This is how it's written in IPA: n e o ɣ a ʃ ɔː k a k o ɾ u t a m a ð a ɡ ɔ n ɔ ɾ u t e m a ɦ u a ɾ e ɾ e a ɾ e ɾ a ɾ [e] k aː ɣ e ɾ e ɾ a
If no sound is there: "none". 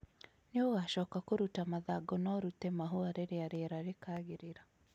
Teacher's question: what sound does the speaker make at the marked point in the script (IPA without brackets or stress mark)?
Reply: e